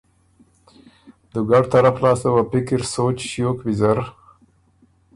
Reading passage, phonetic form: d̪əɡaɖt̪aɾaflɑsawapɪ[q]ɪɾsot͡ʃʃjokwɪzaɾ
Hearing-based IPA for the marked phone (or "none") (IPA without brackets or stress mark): k